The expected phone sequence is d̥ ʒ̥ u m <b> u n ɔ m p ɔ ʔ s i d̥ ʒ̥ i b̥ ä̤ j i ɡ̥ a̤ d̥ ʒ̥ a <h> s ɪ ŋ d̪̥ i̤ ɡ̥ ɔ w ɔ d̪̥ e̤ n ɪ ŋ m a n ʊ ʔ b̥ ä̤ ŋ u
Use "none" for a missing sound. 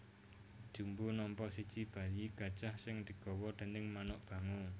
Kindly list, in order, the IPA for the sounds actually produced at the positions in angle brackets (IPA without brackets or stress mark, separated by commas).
b, h